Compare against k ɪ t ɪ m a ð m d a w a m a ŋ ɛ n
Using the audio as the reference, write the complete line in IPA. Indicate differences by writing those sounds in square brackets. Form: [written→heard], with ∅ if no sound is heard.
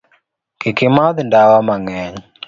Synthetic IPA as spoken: k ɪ [t→k] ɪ m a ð [m→n] d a w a m a ŋ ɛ [n→ɲ]

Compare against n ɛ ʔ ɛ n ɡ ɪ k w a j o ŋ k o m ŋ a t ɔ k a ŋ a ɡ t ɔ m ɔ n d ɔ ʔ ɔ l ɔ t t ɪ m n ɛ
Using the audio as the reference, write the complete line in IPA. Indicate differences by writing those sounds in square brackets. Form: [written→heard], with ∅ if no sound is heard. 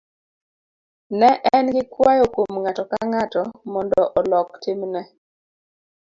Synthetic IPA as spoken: n ɛ ʔ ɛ n ɡ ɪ k w a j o [ŋ→∅] k o m ŋ a t ɔ k a ŋ a [ɡ→∅] t ɔ m ɔ n d ɔ ʔ ɔ l ɔ [t→k] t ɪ m n ɛ

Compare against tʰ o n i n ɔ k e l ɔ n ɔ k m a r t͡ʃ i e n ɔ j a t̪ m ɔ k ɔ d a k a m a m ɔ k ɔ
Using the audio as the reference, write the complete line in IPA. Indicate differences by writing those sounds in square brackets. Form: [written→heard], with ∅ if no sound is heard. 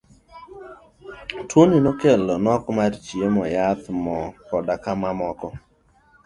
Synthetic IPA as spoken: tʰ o n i n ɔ k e l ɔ n ɔ k m a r t͡ʃ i e [n→m] ɔ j a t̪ m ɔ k ɔ d a k a m a m ɔ k ɔ

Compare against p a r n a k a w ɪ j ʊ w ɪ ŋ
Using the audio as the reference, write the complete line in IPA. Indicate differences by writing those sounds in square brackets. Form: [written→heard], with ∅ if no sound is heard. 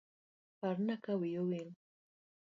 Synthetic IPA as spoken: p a [r→ɾ] n a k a w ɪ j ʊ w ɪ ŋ

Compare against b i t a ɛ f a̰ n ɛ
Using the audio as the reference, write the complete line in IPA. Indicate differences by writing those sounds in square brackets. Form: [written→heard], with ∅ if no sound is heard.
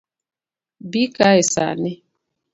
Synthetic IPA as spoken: b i [t→k] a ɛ [f→s] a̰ n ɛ

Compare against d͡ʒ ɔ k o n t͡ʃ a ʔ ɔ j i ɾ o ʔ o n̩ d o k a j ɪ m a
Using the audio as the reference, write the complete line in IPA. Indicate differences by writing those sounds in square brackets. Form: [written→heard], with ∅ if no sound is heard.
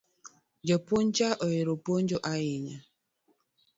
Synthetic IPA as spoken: d͡ʒ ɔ [k→p] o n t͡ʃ a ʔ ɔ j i ɾ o [ʔ→p] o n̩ [d→d͡ʒ] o [k→ʔ] a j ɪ [m→ɲ] a

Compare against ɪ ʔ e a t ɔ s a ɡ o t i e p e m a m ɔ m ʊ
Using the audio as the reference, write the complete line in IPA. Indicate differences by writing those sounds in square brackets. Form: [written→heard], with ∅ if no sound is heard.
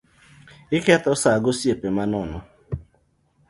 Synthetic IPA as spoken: ɪ [ʔ→k] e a t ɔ s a ɡ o [t→s] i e p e m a [m→n] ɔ [m→n] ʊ

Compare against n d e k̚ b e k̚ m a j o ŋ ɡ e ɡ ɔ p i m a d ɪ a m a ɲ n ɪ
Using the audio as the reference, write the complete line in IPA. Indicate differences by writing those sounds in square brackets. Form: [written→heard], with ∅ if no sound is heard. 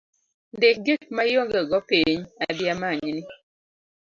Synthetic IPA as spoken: n d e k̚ [b→ɡ] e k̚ m a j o ŋ ɡ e ɡ ɔ p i [m→ɲ] a d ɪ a m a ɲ n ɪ

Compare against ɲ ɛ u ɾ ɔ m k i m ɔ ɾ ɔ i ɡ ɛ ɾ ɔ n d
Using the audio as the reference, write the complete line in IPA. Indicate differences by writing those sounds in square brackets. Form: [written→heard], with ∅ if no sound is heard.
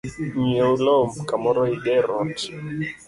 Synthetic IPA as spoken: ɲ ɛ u [ɾ→l] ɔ m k [i→a] m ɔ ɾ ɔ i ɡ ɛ ɾ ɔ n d

